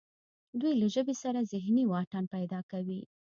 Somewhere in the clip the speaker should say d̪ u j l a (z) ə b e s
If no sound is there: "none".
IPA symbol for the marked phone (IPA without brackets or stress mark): ʒ